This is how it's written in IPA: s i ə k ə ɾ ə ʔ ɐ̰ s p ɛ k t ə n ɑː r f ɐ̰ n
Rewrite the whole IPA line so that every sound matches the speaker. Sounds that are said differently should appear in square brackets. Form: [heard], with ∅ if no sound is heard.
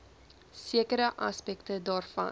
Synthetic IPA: s i ə k ə ɾ ə ʔ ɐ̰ s p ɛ k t ə [d] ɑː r f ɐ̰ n